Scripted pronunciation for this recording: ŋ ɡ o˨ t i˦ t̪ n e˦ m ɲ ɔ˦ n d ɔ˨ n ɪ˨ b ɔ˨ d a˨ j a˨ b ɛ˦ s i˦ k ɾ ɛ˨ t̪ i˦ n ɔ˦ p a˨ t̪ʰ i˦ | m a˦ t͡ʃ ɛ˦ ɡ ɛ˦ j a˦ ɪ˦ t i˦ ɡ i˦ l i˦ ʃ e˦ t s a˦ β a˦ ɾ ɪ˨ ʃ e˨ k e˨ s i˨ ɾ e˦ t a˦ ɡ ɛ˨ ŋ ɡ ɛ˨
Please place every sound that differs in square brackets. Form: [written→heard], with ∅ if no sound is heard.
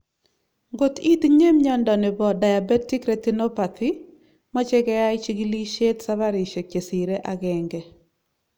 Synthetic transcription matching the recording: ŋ ɡ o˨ t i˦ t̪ [n→ɲ] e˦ m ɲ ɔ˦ n d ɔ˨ n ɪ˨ b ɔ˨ d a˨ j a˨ b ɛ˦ [s→t] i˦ k ɾ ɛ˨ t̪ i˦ n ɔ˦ p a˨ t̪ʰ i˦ | m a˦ t͡ʃ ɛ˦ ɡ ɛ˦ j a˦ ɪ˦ [t→t͡ʃ] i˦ ɡ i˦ l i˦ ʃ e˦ t s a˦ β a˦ ɾ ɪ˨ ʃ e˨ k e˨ s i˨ ɾ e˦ [t→ʔ] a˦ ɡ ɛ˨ ŋ ɡ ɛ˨